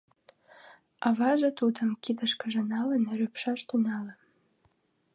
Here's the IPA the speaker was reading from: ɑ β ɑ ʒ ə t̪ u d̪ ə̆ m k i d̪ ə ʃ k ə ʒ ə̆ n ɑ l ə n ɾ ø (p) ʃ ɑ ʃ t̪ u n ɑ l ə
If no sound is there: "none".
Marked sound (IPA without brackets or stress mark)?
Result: p